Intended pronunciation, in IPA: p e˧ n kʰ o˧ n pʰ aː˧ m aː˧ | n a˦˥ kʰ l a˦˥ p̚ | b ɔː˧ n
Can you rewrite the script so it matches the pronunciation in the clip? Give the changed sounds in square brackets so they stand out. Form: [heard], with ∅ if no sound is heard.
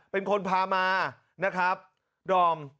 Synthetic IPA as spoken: p e˧ n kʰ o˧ n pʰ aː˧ m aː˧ | n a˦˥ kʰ [ɾ] a˦˥ p̚ | [d] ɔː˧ [m]